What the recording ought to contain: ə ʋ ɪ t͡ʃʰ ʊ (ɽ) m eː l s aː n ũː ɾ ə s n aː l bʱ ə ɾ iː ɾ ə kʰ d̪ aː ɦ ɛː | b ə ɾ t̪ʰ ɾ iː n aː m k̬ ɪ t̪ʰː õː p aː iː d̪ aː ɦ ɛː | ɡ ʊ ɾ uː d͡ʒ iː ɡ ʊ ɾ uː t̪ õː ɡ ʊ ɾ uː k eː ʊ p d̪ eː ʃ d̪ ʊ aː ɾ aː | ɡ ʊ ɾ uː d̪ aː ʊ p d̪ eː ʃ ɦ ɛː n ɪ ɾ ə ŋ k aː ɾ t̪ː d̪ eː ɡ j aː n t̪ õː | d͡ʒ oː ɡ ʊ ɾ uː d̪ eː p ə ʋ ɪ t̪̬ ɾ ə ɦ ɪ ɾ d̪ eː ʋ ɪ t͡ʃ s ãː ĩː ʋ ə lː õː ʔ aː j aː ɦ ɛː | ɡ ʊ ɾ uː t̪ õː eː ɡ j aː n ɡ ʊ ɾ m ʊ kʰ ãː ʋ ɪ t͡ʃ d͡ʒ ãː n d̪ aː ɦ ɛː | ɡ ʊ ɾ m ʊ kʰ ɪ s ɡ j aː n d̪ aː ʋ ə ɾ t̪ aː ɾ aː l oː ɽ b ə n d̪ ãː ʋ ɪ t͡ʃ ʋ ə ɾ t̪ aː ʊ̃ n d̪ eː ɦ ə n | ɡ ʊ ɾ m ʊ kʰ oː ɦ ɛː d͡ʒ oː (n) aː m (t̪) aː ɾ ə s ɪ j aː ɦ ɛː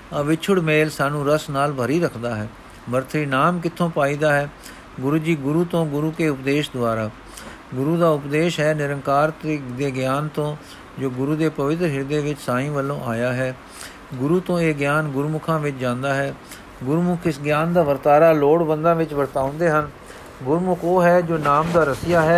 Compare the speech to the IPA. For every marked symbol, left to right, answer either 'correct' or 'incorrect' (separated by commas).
correct, correct, incorrect